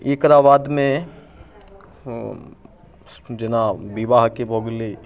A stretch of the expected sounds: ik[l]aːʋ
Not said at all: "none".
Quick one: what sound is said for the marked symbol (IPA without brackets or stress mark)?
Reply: ɾ